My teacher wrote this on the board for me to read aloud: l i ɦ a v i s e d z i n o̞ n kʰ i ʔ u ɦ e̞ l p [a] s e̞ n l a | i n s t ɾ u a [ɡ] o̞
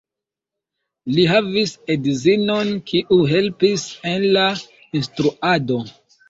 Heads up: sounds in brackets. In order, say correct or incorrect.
incorrect: i, incorrect: d

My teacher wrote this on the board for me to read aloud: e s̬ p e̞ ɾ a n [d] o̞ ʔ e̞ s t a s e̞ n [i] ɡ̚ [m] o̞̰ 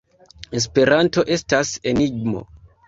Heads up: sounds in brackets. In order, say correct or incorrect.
incorrect: t, correct, correct

